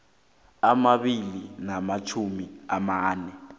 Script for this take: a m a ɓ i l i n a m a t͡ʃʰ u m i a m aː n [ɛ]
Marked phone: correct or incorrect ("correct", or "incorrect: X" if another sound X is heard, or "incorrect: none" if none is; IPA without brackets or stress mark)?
correct